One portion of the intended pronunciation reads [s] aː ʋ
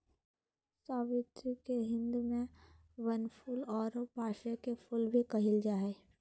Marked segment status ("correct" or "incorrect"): correct